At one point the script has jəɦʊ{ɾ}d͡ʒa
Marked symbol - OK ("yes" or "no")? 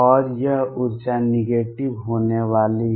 yes